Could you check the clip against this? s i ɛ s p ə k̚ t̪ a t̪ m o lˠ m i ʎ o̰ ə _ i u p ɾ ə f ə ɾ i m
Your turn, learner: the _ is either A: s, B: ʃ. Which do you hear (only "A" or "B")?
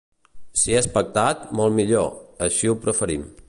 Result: B